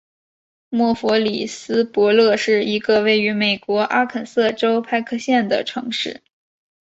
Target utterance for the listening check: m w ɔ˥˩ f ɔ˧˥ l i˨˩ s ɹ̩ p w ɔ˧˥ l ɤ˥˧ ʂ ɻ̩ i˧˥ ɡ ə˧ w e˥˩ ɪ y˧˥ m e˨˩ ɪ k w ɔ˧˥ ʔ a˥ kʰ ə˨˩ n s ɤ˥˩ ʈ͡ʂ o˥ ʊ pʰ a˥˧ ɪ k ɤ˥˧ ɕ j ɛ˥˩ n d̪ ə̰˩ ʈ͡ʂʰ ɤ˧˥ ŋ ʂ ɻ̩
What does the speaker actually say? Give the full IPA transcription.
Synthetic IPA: m w ɔ˥˩ f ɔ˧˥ l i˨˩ s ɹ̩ p w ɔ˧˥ l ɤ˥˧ ʂ ɻ̩ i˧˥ ɡ ə˧ w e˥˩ ɪ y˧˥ m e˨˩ ɪ k w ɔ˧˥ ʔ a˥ kʰ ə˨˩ n s ɤ˥˩ ʈ͡ʂ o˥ ʊ pʰ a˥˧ ɪ kʰ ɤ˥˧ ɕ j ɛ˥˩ n d̪ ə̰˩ ʈ͡ʂʰ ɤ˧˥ ŋ ʂ ɻ̩